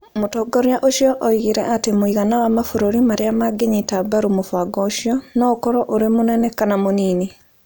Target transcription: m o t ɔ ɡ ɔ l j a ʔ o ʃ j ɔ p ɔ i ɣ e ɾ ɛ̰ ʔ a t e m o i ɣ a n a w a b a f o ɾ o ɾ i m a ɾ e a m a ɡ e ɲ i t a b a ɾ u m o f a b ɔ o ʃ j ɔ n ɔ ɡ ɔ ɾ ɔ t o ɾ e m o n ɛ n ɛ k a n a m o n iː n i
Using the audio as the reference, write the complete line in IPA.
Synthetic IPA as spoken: m o t ɔ ɡ ɔ ɾ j a ʔ o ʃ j ɔ ʔ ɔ i ɣ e ɾ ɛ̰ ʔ a t e m o i ɣ a n a w a m a f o ɾ o ɾ i m a ɾ e a m a ɡ e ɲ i t a b a ɾ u m o f a ɡ ɔ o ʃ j ɔ n ɔ k ɔ ɾ ɔ ʔ o ɾ e m o n ɛ n ɛ k a n a m o n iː n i